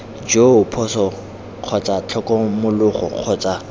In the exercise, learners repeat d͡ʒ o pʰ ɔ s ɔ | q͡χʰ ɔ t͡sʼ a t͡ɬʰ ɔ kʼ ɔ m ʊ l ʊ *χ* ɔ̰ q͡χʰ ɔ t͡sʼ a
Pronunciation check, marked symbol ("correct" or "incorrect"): correct